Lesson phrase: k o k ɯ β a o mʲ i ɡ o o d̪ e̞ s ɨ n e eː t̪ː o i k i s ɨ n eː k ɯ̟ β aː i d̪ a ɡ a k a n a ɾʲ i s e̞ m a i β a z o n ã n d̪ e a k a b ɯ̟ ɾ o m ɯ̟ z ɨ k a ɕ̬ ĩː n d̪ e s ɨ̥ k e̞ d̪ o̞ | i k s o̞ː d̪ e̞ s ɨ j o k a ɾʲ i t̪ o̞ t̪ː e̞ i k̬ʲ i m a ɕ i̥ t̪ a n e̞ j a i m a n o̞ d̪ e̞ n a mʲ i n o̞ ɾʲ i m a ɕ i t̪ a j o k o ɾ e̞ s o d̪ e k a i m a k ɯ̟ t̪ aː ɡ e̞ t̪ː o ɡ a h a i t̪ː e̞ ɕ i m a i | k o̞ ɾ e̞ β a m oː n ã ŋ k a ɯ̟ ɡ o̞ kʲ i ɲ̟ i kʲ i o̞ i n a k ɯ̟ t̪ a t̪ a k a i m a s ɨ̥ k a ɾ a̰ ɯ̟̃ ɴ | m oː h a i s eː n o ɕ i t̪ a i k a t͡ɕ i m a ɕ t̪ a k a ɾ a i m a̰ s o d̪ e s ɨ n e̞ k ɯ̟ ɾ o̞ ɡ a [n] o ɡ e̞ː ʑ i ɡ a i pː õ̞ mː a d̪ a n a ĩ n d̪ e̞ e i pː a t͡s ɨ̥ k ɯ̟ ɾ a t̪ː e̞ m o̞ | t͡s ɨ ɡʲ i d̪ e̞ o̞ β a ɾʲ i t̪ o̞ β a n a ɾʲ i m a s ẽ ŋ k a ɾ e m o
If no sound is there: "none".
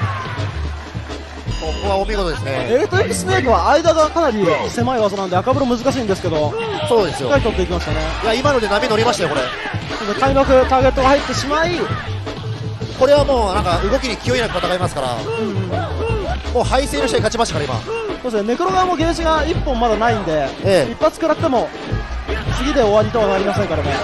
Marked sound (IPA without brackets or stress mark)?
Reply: m